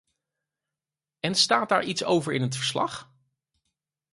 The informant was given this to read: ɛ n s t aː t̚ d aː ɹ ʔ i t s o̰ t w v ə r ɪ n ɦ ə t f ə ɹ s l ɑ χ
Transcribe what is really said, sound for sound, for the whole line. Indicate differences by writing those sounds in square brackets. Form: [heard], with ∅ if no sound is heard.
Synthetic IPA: ɛ n s t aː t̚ d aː ɹ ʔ i t s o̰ [∅] w v ə [ɹ] ɪ n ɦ ə t f ə ɹ s l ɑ χ